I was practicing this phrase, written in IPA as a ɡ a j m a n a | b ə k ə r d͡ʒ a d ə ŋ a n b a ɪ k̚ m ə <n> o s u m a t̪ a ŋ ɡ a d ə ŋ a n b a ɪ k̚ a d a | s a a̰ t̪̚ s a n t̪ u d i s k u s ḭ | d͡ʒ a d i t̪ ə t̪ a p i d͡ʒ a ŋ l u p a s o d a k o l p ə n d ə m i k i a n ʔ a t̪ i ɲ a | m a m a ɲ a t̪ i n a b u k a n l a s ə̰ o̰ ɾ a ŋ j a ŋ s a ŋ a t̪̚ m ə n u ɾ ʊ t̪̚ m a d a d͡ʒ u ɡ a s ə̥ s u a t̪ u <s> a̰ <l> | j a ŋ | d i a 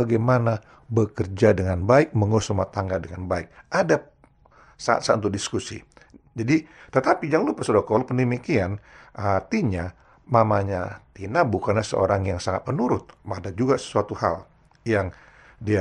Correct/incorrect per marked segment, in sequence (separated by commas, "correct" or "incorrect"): incorrect, incorrect, correct